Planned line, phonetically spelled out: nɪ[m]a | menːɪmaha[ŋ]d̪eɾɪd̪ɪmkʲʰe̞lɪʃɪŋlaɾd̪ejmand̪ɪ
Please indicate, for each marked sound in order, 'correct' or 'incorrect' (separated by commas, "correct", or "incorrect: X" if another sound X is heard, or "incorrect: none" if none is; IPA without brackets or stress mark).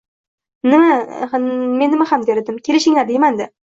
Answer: correct, incorrect: m